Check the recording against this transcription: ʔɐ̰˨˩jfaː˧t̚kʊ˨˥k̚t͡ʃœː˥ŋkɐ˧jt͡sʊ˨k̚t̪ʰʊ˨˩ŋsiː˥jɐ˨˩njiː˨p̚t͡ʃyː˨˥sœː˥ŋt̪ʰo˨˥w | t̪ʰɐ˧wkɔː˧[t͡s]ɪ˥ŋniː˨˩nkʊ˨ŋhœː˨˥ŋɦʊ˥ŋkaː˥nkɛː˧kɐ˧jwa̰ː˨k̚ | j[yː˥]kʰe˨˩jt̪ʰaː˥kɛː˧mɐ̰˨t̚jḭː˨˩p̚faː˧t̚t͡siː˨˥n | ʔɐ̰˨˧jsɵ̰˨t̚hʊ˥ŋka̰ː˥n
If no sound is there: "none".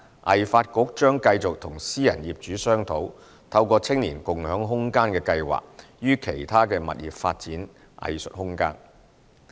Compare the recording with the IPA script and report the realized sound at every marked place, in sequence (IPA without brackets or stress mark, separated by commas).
t͡sʰ, yː˥